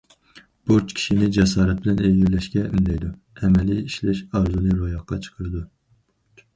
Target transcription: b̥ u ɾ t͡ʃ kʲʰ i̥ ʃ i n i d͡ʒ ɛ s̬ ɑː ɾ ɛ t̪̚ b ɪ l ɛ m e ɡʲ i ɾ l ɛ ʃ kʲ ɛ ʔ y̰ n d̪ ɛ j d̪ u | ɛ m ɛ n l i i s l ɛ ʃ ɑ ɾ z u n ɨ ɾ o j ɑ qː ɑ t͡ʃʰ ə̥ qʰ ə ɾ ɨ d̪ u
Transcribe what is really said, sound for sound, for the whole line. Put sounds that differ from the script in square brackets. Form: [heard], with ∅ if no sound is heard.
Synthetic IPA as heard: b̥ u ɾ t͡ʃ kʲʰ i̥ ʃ i n [ɪ] d͡ʒ ɛ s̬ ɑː ɾ ɛ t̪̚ b ɪ l ɛ [n] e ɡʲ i ɾ l ɛ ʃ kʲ ɛ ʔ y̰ n d̪ ɛ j d̪ u | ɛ m ɛ [∅] l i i [ʃ] l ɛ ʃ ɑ ɾ z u n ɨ ɾ o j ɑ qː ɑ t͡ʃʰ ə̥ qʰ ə ɾ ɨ d̪ u